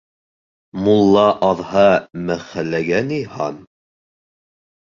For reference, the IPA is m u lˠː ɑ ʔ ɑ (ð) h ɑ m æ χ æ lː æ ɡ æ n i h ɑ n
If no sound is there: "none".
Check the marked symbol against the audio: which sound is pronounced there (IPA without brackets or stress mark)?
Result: ð